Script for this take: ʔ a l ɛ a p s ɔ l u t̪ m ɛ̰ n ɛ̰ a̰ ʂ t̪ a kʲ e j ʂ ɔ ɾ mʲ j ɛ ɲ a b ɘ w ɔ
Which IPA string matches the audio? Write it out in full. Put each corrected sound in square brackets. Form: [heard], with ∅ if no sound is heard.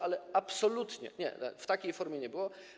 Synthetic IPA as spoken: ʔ a l ɛ a p s ɔ l u t̪ [ɲ] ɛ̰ [ɲ] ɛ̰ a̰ [f] t̪ a kʲ e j [f] ɔ ɾ mʲ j ɛ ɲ [ɛ] b ɘ w ɔ